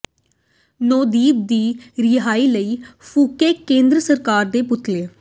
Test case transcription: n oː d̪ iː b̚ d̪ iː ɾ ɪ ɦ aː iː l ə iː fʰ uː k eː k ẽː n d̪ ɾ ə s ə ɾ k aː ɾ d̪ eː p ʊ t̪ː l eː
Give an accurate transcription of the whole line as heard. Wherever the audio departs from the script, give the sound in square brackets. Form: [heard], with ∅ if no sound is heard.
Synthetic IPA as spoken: n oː d̪ iː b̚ d̪ iː ɾ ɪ ɦ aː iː l ə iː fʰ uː k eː k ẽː n d̪ ɾ ə s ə ɾ k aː ɾ d̪ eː p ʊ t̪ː l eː